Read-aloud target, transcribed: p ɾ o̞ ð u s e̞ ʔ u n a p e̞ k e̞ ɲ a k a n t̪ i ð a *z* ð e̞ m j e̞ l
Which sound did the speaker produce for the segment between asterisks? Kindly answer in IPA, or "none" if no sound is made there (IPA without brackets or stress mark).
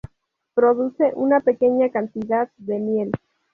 ð